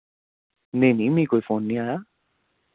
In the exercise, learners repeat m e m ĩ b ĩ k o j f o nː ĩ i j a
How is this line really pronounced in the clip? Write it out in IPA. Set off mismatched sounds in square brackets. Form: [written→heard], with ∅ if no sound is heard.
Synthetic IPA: [m→n] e [m→n] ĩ [b→m] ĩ k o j f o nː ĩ [i→a] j a